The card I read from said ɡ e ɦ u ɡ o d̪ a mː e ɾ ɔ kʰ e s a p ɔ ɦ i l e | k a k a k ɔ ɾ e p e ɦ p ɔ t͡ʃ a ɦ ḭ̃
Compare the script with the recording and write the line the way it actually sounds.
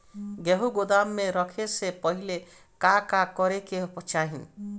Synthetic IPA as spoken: ɡ e ɦ u ɡ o d̪ a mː e ɾ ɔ kʰ e s e p ɔ ɦ i l e | k a k a k ɔ ɾ e k e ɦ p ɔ t͡ʃ a ɦ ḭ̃